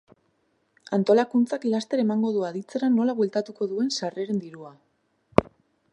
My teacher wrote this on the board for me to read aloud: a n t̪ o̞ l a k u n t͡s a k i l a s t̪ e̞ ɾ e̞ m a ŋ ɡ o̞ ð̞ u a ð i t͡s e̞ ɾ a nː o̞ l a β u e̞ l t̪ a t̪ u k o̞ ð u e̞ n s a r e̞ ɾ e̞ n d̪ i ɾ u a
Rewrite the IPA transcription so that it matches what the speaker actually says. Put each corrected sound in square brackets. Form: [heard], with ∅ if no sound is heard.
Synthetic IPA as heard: a n t̪ o̞ l a k u n t͡s a k i l a s t̪ e̞ ɾ e̞ m a ŋ ɡ o̞ ð̞ u a ð i t͡s e̞ ɾ a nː o̞ l a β [w] e̞ l t̪ a t̪ u k o̞ ð u e̞ n s a r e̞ ɾ e̞ n d̪ i ɾ u a